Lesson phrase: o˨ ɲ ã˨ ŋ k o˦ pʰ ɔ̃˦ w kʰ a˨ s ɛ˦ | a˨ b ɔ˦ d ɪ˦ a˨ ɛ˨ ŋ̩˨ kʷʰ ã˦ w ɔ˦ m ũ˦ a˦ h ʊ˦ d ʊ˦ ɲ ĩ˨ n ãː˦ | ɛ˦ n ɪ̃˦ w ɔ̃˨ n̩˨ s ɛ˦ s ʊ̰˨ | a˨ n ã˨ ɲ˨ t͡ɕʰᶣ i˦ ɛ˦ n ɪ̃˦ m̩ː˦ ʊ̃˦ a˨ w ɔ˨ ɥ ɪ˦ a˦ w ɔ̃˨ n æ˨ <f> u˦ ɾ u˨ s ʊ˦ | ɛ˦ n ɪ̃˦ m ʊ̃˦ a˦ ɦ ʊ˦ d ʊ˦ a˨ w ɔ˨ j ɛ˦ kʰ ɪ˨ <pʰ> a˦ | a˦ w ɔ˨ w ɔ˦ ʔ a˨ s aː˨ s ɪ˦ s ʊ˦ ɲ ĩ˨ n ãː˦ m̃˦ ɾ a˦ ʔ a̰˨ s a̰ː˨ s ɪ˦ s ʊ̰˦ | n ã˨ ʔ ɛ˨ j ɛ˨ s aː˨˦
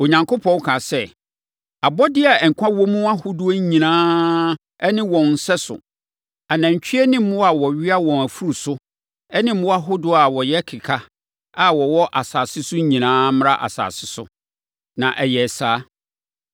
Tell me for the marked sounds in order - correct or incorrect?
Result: correct, incorrect: kʰ

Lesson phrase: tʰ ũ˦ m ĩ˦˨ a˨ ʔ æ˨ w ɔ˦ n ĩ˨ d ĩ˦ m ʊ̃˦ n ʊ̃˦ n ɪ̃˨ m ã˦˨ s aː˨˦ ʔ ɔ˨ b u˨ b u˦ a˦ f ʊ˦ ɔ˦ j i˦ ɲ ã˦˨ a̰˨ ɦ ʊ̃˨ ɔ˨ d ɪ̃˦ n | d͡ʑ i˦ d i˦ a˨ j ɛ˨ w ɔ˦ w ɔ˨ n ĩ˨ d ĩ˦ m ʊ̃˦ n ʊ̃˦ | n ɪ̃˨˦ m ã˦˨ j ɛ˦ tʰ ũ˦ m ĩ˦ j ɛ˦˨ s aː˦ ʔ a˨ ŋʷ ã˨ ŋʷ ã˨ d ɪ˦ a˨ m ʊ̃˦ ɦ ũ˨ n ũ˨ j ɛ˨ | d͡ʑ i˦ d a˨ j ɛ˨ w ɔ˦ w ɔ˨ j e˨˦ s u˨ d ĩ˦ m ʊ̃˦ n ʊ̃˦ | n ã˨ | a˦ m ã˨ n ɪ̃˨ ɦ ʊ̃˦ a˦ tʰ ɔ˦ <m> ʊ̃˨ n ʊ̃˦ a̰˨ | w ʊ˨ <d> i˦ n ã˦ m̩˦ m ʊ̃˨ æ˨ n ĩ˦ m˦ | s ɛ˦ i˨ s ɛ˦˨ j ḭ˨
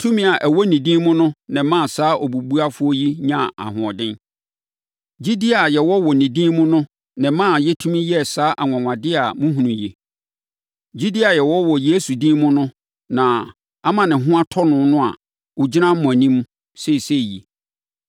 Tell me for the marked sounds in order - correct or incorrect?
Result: incorrect: n, incorrect: d͡ʑ

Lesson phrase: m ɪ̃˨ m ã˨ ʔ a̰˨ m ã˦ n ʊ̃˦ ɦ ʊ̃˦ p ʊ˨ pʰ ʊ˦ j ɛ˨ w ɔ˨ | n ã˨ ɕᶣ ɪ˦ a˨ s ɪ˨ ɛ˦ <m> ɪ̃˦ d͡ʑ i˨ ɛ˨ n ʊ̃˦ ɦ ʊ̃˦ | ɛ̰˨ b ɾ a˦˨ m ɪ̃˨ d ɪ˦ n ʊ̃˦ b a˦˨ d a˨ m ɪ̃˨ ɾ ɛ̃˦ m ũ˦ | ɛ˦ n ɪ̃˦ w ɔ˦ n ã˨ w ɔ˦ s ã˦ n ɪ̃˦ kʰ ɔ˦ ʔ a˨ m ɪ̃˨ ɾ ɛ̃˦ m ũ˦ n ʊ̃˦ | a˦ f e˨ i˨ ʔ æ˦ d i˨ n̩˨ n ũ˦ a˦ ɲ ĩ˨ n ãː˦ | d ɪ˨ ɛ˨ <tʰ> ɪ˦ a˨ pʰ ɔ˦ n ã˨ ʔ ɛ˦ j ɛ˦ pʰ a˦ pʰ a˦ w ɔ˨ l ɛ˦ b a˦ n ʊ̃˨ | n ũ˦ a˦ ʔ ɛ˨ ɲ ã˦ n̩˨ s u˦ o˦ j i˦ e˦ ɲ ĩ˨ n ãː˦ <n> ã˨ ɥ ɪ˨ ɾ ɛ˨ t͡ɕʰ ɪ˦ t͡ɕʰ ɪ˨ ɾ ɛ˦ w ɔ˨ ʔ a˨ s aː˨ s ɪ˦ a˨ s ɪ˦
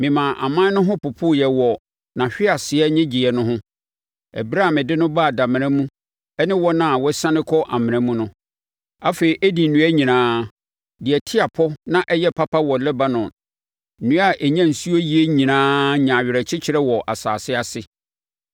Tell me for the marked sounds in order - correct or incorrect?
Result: incorrect: ɲ, correct, incorrect: ɲ

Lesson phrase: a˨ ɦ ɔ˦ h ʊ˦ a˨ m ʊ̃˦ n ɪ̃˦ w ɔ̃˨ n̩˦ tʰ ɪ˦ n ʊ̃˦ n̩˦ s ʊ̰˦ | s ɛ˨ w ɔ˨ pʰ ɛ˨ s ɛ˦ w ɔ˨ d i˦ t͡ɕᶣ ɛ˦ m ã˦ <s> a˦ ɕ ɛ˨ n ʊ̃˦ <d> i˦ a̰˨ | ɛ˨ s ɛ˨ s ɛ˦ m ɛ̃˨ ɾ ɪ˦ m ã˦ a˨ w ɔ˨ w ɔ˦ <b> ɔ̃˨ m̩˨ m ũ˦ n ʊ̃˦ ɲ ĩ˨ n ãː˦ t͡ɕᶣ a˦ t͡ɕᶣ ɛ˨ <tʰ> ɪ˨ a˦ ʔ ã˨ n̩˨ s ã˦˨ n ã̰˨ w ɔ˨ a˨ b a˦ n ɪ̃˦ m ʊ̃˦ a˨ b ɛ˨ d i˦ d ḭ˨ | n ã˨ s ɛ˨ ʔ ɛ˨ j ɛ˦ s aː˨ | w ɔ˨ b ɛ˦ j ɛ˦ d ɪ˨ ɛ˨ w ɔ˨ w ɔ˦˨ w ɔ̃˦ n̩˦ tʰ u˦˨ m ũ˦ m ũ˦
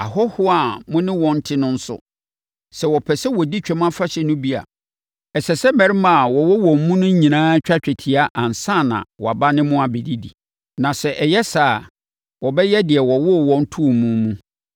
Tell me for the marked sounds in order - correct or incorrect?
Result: incorrect: f, incorrect: b, incorrect: w, correct

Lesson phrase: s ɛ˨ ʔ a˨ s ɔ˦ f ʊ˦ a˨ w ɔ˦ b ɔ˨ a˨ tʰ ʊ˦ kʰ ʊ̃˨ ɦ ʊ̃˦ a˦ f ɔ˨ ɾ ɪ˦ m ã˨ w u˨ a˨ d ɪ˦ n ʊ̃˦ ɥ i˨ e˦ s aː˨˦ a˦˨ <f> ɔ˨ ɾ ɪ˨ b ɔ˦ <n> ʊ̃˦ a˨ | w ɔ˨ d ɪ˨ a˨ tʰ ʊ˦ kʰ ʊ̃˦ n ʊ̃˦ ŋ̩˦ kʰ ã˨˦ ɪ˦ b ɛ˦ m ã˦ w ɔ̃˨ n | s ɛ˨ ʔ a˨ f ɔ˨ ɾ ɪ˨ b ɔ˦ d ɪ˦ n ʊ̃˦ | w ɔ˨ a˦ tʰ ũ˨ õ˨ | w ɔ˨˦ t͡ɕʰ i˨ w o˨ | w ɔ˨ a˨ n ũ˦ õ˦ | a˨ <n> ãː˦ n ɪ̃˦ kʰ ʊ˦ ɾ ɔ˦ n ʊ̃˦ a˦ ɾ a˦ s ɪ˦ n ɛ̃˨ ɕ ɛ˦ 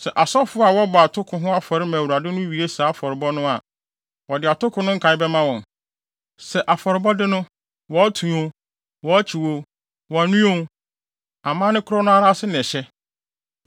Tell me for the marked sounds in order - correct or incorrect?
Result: correct, correct, incorrect: m

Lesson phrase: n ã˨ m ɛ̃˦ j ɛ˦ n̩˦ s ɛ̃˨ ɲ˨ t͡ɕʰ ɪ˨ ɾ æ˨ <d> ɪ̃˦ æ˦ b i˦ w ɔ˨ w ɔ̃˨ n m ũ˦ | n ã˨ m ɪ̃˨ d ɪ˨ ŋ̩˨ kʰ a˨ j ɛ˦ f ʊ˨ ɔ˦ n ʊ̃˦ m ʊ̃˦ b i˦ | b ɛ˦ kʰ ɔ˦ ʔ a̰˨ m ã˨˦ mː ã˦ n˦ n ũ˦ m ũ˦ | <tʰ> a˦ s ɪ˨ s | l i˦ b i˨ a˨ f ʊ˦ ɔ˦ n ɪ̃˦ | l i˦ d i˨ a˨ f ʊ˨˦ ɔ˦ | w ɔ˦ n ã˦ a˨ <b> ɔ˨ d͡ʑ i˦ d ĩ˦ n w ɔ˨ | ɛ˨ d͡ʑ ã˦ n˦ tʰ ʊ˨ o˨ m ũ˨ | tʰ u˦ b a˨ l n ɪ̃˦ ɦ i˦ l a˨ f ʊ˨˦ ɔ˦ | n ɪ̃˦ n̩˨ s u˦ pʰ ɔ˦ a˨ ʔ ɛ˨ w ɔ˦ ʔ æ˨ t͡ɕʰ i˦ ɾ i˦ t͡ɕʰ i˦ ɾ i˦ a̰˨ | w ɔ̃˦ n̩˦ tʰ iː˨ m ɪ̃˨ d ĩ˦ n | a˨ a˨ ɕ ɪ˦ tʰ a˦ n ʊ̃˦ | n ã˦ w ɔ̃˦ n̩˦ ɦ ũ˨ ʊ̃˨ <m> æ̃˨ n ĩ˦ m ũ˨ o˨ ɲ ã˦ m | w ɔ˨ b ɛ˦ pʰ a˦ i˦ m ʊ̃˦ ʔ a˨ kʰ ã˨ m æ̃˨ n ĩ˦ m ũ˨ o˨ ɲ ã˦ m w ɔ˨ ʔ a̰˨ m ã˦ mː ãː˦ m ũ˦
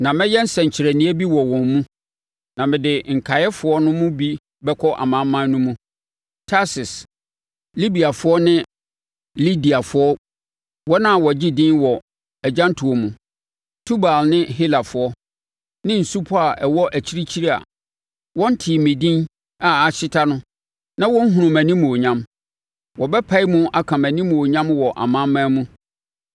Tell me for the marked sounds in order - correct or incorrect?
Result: incorrect: n, correct, incorrect: w, correct

